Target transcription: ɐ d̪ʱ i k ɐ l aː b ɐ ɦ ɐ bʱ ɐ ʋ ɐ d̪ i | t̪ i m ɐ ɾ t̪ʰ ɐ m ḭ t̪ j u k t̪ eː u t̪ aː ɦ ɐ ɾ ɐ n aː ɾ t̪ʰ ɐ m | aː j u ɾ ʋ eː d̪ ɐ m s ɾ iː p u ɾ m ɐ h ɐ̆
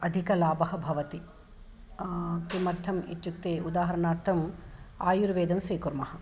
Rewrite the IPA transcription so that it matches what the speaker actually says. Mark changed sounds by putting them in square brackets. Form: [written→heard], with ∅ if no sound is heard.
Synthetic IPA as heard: ɐ d̪ʱ i k ɐ l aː b ɐ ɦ ɐ bʱ ɐ ʋ ɐ [d̪→t̪] i | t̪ i m ɐ ɾ t̪ʰ ɐ m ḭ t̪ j u k t̪ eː u [t̪→d̪] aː ɦ ɐ ɾ ɐ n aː ɾ t̪ʰ ɐ m | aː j u ɾ ʋ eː d̪ ɐ m s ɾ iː [p→k] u ɾ m ɐ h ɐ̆